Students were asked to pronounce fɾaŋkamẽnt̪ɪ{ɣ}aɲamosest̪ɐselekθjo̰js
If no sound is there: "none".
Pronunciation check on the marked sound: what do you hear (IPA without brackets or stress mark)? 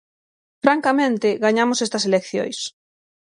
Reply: ɣ